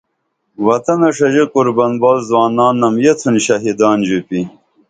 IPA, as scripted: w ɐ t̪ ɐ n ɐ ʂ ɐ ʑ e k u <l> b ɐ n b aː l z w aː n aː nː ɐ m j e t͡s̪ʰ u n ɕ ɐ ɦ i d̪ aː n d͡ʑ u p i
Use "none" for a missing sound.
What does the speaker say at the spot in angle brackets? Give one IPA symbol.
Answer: ɾ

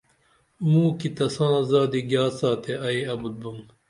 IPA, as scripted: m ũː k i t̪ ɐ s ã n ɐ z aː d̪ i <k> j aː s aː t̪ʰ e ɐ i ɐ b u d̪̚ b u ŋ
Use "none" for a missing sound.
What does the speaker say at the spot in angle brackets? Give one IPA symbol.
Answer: ɡ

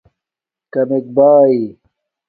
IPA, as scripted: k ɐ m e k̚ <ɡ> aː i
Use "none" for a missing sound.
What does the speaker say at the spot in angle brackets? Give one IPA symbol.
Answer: b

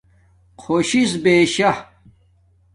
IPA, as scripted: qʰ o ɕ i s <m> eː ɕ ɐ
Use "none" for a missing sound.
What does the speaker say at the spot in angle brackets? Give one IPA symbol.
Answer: b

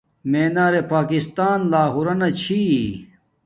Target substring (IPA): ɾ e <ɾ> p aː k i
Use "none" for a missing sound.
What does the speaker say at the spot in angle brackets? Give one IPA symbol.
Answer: none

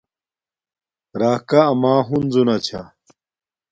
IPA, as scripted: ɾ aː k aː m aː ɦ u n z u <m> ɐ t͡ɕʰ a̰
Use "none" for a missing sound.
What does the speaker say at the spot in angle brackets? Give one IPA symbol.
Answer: n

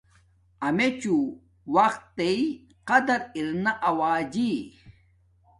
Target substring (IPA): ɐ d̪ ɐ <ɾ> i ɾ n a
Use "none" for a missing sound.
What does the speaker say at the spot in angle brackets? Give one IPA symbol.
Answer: ɾ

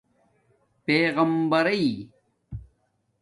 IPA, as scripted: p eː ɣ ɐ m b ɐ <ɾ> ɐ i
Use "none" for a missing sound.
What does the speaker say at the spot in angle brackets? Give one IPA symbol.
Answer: ɾ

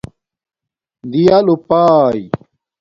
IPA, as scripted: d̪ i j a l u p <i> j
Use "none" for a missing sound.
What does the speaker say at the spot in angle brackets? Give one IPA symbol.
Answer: a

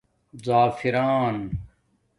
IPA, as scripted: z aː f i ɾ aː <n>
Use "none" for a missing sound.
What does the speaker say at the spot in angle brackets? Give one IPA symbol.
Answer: n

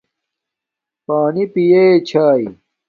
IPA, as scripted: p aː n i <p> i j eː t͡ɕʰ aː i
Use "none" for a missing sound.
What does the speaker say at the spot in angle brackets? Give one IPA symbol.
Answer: p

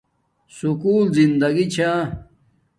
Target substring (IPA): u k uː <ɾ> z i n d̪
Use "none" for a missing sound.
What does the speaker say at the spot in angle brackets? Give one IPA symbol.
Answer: l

